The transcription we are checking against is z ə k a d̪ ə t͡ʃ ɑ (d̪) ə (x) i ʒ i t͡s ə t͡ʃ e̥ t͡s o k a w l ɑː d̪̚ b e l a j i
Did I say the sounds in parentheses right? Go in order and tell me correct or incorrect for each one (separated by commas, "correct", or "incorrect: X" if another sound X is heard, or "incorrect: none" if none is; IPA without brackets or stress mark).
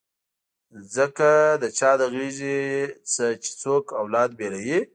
correct, incorrect: ɣ